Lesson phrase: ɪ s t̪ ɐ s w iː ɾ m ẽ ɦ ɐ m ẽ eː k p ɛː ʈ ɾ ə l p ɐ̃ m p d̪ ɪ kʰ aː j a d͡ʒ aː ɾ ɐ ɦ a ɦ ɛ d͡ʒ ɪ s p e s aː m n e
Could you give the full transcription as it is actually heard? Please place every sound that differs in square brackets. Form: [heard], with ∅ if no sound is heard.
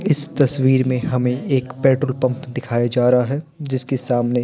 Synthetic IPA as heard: ɪ s t̪ ɐ s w iː ɾ m ẽ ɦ ɐ m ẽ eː k p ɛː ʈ ɾ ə l p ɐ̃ m p d̪ ɪ kʰ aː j a d͡ʒ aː ɾ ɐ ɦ a ɦ ɛ d͡ʒ ɪ s [k] e s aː m n e